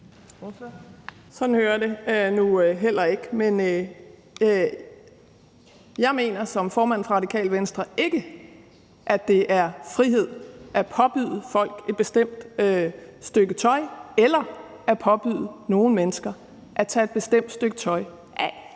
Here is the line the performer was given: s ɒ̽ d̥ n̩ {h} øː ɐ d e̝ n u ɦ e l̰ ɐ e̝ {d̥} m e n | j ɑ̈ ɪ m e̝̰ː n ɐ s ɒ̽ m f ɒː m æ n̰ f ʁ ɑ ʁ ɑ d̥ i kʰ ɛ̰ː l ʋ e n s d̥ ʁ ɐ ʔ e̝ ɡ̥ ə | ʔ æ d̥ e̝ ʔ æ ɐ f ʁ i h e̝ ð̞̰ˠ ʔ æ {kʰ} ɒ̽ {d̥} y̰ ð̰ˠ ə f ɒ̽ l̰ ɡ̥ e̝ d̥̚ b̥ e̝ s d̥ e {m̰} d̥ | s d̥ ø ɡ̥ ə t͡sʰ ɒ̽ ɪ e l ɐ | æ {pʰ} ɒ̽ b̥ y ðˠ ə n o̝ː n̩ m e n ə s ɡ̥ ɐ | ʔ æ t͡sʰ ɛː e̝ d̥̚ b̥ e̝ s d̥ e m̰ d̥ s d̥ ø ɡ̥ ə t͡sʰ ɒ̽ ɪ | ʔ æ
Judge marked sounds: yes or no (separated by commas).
yes, no, no, no, yes, yes